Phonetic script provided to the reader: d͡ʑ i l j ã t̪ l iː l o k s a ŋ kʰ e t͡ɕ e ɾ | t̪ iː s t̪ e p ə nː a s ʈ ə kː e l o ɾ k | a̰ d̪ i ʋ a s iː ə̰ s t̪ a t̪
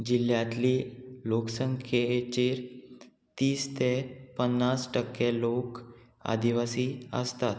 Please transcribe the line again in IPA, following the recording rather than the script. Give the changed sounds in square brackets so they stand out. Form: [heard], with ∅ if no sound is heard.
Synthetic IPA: d͡ʑ i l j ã t̪ l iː l o k s [ə] ŋ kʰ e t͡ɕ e ɾ | t̪ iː s t̪ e p ə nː a s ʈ ə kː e l o [∅] k | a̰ d̪ i ʋ a s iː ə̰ s t̪ a t̪